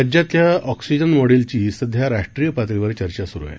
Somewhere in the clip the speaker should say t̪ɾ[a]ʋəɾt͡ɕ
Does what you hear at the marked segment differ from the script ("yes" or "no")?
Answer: yes